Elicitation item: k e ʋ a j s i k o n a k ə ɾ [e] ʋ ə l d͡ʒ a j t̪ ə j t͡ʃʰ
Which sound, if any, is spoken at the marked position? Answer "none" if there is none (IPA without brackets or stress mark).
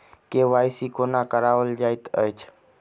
a